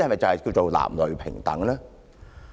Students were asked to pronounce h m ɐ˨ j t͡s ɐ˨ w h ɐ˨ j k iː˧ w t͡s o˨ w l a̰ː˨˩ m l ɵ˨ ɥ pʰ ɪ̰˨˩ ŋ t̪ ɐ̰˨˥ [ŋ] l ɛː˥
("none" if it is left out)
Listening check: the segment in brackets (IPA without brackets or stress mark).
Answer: ŋ